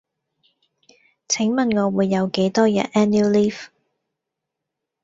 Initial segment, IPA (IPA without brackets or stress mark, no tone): t͡sʰ